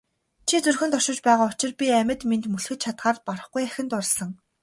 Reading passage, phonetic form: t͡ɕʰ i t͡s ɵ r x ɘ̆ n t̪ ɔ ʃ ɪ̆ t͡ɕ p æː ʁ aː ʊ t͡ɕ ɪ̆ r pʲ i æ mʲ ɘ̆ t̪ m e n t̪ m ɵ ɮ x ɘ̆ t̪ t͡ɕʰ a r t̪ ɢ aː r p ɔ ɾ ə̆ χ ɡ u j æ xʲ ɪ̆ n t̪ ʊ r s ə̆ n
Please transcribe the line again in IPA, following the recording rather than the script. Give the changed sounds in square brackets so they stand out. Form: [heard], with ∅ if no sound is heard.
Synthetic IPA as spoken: t͡ɕʰ i t͡s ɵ r x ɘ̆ n t̪ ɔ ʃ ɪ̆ t͡ɕ p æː ʁ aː ʊ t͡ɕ ɪ̆ r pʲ i æ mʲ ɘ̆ t̪ m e n t̪ m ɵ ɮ x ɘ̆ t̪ t͡ɕʰ a [∅] t̪ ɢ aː r p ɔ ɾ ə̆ χ ɡ u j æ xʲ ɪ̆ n t̪ ʊ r s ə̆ [ŋ]